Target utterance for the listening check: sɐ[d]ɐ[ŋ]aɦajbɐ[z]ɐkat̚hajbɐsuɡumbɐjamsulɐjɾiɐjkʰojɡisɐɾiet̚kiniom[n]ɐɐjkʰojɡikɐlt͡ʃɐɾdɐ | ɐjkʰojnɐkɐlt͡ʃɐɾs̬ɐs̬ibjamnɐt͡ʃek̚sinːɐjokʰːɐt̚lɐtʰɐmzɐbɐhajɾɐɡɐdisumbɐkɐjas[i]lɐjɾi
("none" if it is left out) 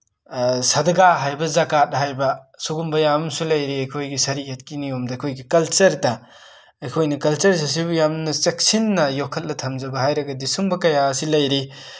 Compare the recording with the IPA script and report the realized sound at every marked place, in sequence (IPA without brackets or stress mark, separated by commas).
d, ɡ, z, d, i